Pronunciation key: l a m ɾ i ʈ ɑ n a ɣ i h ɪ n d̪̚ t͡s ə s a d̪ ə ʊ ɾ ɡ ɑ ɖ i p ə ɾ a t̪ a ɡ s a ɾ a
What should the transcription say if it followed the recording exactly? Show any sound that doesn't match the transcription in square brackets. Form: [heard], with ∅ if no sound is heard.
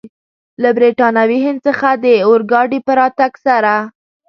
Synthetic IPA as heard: l a [b] ɾ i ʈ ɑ n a [w] i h ɪ n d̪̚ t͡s ə [x] a d̪ ə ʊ ɾ ɡ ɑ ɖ i p ə ɾ [ɑ] t̪ a ɡ s a ɾ a